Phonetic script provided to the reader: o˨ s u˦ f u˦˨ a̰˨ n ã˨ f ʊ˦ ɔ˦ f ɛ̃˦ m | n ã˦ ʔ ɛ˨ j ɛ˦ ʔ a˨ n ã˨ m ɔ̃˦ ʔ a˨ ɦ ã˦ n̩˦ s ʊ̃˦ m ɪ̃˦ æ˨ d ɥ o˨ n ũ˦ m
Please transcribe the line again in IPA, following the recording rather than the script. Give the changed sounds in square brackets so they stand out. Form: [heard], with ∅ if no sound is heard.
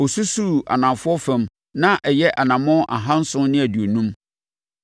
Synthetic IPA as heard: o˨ s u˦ [s] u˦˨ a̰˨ n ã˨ f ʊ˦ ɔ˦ f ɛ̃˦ m | n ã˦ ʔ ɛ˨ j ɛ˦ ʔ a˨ n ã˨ m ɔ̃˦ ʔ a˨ ɦ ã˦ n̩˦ s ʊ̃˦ [n] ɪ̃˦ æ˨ d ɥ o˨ n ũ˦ m

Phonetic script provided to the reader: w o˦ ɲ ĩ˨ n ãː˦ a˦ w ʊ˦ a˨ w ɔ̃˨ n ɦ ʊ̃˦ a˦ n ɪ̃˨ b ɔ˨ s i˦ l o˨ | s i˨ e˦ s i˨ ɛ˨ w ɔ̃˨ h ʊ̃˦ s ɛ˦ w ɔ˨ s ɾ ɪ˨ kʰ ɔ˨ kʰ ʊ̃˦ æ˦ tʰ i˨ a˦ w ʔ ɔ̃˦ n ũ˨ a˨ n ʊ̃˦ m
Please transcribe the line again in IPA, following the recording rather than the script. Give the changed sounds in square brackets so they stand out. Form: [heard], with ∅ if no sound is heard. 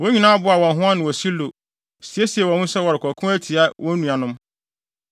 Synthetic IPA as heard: w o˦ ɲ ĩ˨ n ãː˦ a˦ [b] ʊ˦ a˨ w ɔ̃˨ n ɦ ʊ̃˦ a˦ n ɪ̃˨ [w] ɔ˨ s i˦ l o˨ | s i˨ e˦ s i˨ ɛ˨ w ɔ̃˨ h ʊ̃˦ s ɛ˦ w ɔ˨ [∅] ɾ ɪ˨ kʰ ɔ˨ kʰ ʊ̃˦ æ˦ tʰ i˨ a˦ w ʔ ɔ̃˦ n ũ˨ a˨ n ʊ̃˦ m

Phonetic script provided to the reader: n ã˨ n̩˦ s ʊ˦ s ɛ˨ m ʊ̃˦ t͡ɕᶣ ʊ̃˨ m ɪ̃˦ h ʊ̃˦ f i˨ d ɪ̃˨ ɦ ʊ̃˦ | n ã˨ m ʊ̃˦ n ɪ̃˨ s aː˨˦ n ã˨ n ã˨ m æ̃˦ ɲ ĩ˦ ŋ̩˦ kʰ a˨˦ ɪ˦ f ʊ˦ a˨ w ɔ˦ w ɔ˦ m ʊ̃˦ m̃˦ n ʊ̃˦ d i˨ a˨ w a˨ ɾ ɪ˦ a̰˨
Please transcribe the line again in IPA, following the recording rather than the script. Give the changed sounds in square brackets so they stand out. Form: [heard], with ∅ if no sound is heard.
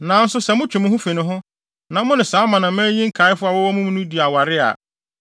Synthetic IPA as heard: n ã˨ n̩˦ s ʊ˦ s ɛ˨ m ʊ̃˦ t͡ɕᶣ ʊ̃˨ m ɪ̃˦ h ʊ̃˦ f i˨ [n] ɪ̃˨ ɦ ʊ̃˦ | n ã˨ m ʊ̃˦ n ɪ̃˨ s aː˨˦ [m] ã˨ n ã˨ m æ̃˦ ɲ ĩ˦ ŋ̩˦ kʰ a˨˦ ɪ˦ f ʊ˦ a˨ w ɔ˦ w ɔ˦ m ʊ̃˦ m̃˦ n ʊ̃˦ d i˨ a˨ w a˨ ɾ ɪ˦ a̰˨

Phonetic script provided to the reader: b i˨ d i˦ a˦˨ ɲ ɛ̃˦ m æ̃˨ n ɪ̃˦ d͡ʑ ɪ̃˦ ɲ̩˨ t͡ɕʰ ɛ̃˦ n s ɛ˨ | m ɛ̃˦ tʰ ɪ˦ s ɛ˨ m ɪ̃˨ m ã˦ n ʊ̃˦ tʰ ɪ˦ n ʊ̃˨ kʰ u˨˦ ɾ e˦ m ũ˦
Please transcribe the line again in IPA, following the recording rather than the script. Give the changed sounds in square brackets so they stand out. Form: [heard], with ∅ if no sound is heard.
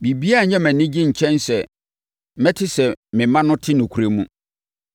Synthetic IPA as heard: b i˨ [b] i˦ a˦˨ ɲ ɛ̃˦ m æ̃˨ n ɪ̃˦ d͡ʑ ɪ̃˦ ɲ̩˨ t͡ɕʰ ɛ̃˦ n s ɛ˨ | m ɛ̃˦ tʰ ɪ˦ s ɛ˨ m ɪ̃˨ m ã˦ n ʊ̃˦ tʰ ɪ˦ n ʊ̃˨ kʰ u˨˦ ɾ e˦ m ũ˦

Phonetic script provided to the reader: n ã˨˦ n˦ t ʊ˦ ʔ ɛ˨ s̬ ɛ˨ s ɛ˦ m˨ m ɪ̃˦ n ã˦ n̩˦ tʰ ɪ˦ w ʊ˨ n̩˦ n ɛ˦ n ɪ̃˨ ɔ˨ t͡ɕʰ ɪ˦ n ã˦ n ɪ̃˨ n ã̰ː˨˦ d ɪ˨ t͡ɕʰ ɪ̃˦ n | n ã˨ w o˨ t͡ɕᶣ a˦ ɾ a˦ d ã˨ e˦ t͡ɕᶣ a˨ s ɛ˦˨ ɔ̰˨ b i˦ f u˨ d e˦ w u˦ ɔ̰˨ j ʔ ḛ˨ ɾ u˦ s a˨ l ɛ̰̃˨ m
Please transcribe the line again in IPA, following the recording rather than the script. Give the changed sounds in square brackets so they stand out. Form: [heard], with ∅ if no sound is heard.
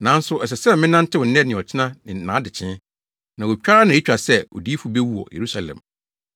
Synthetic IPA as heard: n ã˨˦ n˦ [s] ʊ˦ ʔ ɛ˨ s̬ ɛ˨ s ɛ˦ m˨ m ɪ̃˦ n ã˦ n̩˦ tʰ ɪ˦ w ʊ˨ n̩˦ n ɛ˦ n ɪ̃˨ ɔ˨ t͡ɕʰ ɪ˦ n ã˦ n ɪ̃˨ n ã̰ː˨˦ d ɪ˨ t͡ɕʰ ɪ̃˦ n | n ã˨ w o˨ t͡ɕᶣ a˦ ɾ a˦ [n] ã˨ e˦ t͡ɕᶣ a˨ s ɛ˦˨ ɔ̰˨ [d] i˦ f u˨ [b] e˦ w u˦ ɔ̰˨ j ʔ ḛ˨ ɾ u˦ s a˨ l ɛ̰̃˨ m

